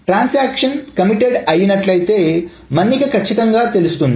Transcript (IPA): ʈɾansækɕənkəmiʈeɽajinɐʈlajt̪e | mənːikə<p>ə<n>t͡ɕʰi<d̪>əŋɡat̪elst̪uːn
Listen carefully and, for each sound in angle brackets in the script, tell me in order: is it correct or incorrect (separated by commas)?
incorrect, incorrect, incorrect